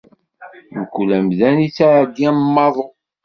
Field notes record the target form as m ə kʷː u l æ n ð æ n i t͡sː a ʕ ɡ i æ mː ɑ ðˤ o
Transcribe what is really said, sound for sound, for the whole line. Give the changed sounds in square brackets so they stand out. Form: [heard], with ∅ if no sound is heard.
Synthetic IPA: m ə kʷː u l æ [m] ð æ n i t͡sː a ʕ ɡ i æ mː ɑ ðˤ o